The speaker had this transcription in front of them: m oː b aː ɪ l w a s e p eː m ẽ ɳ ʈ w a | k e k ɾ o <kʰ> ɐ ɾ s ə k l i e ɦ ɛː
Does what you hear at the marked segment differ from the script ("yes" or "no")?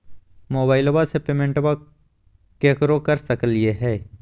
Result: yes